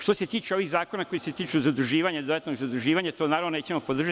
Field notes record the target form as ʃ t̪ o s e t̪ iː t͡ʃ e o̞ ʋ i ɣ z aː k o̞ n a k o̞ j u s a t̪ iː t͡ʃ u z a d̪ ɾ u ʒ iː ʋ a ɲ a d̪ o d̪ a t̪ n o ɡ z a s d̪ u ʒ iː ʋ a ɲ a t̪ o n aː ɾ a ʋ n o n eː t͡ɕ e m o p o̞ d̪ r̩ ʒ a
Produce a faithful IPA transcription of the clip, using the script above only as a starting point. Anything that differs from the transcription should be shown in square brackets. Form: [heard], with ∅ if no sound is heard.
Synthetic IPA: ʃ t̪ o s e t̪ iː t͡ʃ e o̞ ʋ i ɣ z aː k o̞ n a k o̞ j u s [e] t̪ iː t͡ʃ u z a d̪ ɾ u ʒ iː ʋ a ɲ a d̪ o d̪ a t̪ n o ɡ z a [∅] d̪ u ʒ iː ʋ a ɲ a t̪ o n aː ɾ a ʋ n o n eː t͡ɕ e m o p o̞ d̪ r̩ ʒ a